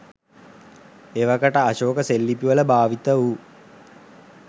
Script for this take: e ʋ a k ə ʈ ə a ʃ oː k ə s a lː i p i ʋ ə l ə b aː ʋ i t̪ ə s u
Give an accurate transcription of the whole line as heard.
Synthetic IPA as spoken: e ʋ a k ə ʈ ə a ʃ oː k ə s e lː i p i ʋ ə l ə b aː ʋ i t̪ ə u